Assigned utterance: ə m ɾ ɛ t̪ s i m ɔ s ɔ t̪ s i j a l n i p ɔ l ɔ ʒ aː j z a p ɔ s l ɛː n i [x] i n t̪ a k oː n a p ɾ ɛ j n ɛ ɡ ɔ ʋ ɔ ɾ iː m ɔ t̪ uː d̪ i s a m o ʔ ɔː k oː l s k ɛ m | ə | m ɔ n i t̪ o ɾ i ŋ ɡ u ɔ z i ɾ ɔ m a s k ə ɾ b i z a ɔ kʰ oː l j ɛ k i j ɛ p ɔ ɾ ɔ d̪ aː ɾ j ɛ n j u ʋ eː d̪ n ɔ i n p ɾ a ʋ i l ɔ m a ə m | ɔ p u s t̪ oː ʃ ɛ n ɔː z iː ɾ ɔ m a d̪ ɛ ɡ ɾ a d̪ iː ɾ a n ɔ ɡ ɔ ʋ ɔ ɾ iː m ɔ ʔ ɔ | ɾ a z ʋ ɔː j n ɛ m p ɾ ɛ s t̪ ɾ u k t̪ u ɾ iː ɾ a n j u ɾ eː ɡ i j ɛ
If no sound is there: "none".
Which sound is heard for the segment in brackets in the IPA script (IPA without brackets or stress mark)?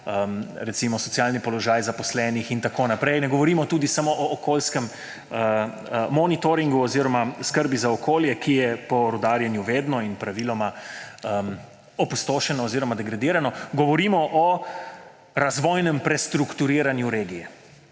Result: x